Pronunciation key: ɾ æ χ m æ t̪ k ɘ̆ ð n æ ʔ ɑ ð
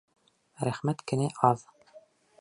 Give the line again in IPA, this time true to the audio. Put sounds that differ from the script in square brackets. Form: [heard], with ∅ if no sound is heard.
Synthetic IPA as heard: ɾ æ χ m æ t̪ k ɘ̆ [∅] n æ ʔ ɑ ð